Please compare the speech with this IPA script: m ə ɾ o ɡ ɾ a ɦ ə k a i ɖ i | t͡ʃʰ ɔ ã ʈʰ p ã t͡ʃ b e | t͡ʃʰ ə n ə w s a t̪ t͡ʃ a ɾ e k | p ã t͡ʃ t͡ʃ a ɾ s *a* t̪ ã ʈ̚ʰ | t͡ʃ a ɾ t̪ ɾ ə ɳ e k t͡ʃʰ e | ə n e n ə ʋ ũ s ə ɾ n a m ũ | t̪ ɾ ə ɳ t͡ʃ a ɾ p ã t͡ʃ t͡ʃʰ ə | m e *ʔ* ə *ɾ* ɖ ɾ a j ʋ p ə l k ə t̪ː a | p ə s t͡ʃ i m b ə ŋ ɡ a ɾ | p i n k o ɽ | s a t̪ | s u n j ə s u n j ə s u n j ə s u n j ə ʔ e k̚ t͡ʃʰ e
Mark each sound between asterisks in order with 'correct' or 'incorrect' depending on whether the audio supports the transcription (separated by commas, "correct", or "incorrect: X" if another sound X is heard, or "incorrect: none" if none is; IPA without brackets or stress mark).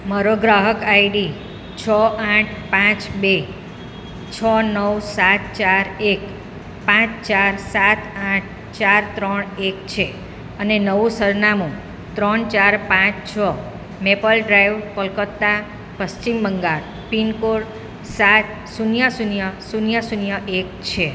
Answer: correct, incorrect: p, incorrect: l